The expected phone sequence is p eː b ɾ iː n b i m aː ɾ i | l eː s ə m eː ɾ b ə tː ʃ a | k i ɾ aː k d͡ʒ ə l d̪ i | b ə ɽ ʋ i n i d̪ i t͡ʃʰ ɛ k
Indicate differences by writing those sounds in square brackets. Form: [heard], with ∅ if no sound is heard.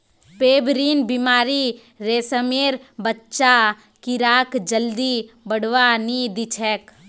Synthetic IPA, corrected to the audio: p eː b ɾ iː n b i m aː ɾ i | [ɾ] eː s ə m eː ɾ b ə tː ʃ a | k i ɾ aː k d͡ʒ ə l d̪ i | b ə ɽ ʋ [a] n i d̪ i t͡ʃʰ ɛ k